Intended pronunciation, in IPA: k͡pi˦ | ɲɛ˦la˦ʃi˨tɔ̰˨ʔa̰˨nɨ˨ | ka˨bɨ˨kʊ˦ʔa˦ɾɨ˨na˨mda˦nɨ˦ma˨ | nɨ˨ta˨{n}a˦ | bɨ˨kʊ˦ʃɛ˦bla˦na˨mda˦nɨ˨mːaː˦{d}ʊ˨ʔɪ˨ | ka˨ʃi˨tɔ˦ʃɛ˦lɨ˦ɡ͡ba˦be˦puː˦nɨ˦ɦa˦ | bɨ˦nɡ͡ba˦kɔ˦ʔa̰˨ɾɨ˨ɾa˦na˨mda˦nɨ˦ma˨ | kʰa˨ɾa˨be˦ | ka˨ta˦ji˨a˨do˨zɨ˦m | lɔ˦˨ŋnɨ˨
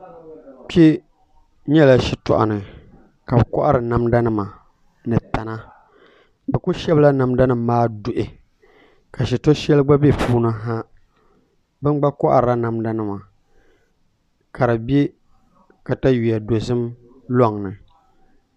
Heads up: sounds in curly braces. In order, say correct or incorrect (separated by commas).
correct, correct